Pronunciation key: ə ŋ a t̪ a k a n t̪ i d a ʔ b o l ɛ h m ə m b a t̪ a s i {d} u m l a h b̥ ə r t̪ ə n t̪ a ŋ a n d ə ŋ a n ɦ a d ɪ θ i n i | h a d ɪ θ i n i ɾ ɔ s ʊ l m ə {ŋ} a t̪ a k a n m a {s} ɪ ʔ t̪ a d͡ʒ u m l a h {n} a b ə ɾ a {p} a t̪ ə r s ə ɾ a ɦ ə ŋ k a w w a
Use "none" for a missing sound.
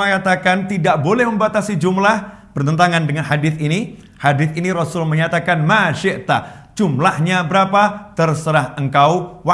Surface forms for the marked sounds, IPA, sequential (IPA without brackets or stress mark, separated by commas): d͡ʒ, ɲ, ʃ, ɲ, p